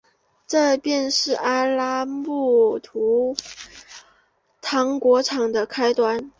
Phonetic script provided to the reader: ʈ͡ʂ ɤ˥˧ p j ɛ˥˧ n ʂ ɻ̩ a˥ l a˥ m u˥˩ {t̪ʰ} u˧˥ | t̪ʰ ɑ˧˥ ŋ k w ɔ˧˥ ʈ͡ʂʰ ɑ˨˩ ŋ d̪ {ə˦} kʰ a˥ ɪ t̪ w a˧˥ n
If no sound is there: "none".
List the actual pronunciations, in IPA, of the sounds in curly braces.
t̪ʰ, ə˦

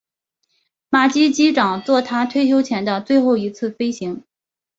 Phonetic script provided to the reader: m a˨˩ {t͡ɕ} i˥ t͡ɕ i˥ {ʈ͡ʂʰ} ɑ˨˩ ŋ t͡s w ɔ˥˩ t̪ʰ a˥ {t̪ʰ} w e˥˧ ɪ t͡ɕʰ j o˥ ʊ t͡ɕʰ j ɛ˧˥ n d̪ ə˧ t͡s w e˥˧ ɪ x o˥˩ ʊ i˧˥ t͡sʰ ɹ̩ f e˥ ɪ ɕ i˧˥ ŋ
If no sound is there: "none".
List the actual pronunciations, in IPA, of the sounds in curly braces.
t͡ɕ, ʈ͡ʂ, t̪ʰ

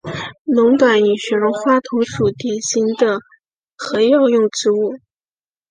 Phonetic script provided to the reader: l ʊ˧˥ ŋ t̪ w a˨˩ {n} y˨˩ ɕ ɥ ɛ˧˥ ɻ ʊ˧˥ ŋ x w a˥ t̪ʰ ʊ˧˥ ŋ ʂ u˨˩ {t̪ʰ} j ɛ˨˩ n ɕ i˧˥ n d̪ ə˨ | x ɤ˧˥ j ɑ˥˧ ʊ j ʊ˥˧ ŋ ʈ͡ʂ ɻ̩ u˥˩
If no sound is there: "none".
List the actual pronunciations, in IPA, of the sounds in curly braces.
n, t̪

